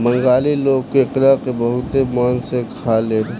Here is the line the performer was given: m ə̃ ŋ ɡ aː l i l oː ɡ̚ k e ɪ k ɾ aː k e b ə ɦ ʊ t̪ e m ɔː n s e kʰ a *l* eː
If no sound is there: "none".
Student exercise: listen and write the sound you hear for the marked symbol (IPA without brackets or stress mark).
l